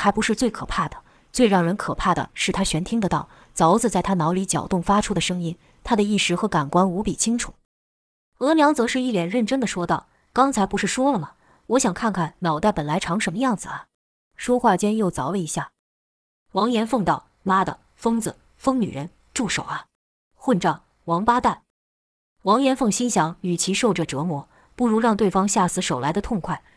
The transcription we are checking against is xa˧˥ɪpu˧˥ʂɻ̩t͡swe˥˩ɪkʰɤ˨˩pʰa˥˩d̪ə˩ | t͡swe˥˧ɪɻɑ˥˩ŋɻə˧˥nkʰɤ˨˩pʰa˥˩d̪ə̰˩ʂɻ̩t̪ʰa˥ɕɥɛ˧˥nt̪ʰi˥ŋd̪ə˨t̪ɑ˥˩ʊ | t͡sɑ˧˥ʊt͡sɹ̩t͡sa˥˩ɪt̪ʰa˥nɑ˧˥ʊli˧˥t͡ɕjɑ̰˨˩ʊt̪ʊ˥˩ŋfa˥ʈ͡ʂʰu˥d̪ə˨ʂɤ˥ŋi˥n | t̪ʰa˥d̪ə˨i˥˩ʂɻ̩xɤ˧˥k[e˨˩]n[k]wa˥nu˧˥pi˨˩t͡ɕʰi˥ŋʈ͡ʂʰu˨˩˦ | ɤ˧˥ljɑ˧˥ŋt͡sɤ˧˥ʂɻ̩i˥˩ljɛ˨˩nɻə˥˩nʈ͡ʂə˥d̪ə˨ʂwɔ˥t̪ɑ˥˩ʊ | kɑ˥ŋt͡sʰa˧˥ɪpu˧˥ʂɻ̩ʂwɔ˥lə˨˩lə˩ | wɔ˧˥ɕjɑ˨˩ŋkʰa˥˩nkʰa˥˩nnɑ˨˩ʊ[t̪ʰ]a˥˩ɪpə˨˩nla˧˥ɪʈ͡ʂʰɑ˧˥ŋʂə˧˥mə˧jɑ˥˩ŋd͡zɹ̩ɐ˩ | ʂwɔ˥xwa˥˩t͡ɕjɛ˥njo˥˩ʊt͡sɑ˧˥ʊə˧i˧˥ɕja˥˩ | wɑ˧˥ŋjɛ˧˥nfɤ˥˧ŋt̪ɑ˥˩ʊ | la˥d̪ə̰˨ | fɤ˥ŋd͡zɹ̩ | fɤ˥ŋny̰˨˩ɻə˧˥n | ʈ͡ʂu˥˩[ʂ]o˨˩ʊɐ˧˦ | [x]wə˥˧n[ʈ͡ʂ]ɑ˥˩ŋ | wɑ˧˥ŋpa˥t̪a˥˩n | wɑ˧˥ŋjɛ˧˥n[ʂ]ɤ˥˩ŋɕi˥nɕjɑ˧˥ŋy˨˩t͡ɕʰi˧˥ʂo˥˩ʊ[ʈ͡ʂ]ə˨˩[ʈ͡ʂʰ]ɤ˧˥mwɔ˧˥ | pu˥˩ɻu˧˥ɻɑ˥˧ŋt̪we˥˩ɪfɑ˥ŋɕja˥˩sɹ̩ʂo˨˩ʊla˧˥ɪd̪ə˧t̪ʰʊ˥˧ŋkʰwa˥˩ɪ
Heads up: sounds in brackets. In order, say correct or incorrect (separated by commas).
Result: incorrect, correct, incorrect, correct, correct, correct, incorrect, correct, incorrect